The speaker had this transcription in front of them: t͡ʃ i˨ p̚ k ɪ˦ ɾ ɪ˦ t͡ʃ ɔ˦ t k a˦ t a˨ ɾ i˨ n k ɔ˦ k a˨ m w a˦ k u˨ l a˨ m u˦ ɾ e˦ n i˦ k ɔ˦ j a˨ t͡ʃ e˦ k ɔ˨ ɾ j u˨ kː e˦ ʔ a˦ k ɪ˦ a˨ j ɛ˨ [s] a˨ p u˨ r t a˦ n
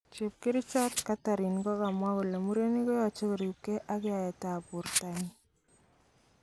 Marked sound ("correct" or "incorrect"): incorrect